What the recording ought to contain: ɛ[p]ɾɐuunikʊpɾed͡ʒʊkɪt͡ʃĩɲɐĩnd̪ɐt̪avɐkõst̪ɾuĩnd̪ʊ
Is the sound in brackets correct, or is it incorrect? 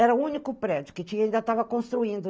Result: incorrect